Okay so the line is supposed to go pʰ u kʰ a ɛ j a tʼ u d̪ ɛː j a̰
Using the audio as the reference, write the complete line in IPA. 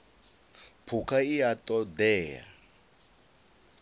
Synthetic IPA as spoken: pʰ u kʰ a i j a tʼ ɔ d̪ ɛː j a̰